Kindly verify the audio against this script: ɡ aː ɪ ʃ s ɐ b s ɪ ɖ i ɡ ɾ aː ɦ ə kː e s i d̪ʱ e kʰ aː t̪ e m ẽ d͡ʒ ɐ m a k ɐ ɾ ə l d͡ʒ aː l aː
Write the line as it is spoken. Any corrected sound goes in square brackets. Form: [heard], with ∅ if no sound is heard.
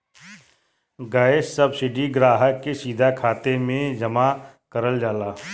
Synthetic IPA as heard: ɡ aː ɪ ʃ s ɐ b s ɪ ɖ i ɡ ɾ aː ɦ ə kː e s [iː] d̪ʱ [a] kʰ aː t̪ e m ẽ d͡ʒ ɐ m a k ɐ ɾ ə l d͡ʒ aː l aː